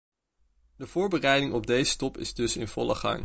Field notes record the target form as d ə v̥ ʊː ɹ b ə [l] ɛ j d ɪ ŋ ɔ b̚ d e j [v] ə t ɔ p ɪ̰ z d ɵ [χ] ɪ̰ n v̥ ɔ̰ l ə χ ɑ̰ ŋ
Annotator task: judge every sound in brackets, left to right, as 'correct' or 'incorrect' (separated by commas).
incorrect, incorrect, incorrect